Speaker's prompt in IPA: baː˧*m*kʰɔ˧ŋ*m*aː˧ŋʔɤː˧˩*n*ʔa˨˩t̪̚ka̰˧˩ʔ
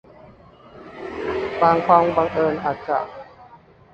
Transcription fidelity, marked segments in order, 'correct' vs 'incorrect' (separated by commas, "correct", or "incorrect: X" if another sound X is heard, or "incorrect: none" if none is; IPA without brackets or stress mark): incorrect: ŋ, incorrect: b, correct